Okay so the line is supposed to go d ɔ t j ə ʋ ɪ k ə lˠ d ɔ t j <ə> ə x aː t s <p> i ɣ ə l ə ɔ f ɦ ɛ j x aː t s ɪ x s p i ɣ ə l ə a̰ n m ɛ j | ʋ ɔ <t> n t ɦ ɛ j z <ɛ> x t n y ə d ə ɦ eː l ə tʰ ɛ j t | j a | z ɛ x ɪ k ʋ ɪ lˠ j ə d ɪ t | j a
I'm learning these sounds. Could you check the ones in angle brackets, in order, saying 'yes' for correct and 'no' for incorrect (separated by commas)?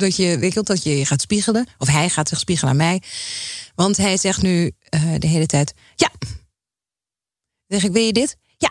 yes, yes, no, yes